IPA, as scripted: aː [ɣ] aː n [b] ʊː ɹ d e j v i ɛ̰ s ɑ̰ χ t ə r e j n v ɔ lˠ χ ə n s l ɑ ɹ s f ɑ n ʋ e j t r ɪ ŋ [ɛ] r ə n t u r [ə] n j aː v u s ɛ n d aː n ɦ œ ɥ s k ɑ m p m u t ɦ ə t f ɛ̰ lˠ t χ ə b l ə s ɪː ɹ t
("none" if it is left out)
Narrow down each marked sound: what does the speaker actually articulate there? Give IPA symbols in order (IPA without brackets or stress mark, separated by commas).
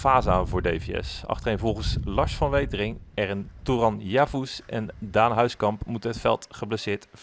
z, v, ɛ, ɑ